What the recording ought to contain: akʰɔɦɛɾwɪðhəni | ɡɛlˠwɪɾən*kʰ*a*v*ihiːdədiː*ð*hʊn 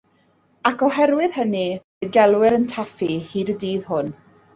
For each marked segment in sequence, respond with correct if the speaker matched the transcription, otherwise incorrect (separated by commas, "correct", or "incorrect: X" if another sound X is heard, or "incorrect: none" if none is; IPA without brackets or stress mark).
incorrect: tʰ, incorrect: f, correct